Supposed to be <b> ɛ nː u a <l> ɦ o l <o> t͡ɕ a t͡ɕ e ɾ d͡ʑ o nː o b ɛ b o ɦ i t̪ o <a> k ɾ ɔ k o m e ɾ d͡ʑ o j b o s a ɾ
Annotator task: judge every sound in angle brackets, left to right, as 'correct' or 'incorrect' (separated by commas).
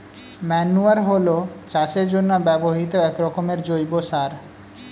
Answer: incorrect, incorrect, correct, incorrect